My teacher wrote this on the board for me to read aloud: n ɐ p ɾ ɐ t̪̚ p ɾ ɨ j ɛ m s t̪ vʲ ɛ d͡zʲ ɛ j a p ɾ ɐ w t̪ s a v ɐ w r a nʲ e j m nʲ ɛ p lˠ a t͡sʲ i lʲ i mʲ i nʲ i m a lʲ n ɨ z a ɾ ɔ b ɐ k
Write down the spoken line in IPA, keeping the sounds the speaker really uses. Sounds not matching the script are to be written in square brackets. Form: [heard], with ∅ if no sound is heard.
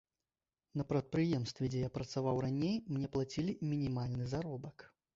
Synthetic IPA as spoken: n ɐ p ɾ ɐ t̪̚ p ɾ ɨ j ɛ m s t̪ vʲ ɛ d͡zʲ ɛ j a p ɾ ɐ [∅] t̪ s a v [a] w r a nʲ e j m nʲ ɛ p lˠ a t͡sʲ i lʲ i mʲ i nʲ i m a lʲ n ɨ z a ɾ ɔ b ɐ k